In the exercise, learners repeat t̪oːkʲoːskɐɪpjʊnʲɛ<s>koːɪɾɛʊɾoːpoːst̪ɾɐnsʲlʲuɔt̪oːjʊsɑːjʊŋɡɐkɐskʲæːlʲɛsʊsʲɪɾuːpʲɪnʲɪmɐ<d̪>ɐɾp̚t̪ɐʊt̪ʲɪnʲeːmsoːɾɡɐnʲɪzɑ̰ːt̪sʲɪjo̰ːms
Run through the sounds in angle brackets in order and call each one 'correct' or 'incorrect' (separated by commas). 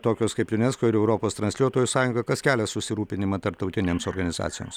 correct, incorrect